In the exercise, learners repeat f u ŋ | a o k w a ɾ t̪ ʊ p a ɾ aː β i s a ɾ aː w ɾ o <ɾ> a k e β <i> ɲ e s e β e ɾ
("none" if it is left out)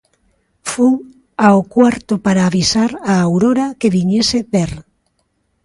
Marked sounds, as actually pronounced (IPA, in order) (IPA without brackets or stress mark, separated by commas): ɾ, i